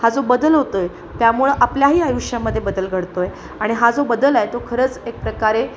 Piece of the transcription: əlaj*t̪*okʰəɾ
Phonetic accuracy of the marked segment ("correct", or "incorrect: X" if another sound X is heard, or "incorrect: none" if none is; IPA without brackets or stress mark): correct